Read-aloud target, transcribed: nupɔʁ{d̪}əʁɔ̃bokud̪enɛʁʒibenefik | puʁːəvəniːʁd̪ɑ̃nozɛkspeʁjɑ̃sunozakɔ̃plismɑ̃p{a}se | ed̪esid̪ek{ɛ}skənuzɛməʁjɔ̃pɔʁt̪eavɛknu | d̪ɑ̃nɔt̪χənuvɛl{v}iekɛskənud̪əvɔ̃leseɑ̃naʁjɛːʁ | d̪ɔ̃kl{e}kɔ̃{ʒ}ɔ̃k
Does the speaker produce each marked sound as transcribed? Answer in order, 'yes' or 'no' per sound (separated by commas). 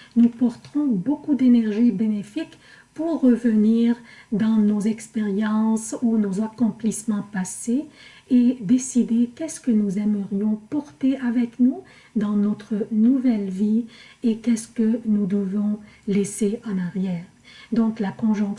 no, yes, yes, yes, no, yes